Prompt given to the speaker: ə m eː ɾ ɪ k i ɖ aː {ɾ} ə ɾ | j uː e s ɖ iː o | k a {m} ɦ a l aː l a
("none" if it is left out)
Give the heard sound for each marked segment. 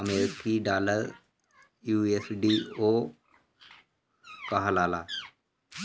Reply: l, none

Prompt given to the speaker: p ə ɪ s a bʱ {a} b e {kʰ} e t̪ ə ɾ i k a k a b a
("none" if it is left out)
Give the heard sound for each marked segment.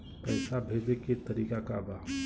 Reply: e, k

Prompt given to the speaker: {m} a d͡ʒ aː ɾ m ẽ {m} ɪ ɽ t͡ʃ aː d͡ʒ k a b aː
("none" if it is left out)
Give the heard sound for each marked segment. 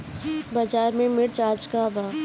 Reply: b, m

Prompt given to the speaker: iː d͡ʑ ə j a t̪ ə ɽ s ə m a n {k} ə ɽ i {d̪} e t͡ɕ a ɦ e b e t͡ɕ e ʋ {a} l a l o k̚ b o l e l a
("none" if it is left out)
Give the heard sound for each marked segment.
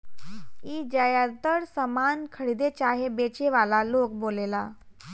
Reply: kʰ, d̪, a

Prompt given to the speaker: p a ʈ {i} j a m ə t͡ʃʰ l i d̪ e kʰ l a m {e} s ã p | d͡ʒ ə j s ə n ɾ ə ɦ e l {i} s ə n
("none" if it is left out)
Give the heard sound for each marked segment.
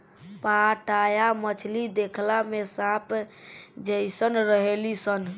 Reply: a, e, i

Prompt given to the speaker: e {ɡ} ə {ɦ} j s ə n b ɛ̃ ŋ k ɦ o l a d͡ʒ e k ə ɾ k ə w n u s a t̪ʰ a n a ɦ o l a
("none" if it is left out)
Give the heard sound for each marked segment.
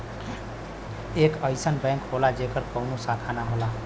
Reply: k, none

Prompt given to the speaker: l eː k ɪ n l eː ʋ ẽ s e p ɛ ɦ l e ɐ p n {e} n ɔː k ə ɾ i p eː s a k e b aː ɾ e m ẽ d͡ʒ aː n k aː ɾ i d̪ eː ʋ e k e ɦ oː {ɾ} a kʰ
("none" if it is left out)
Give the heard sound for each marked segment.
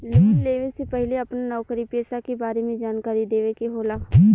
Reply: a, l

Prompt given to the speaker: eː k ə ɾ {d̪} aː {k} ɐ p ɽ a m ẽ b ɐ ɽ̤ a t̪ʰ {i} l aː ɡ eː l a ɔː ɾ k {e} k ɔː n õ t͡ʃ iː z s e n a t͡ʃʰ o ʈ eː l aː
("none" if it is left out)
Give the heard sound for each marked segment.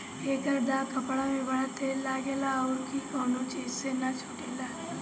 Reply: d̪, k, e, i

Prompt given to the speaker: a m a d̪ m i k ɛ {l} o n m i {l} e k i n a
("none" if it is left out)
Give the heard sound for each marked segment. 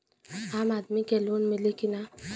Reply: l, l

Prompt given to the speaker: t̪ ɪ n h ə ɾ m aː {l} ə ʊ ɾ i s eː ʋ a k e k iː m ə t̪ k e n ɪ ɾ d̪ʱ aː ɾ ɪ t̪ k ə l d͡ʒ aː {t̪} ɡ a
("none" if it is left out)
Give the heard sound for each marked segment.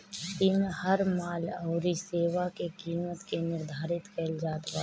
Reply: l, t̪

